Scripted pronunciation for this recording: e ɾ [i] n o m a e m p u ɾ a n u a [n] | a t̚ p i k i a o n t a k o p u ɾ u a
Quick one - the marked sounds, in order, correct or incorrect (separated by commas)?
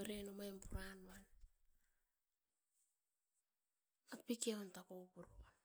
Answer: incorrect, correct